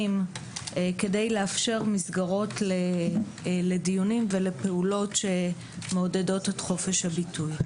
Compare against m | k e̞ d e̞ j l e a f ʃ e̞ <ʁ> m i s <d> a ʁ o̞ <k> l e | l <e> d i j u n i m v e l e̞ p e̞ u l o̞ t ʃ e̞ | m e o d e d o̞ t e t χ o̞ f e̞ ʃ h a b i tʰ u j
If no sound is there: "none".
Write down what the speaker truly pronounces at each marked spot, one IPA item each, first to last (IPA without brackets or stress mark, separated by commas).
ʁ, ɡ, t, e